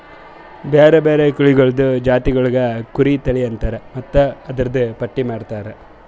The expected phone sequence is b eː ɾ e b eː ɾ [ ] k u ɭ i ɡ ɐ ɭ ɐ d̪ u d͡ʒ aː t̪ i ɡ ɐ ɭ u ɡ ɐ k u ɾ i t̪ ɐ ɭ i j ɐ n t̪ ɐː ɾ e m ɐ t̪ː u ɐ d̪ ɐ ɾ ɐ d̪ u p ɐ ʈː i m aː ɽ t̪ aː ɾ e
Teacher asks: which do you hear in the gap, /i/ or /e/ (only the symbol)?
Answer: e